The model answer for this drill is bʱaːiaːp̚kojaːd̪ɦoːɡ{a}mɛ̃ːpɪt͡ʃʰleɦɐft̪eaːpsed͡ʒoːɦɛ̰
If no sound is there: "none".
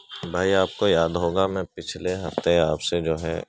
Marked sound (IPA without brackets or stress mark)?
a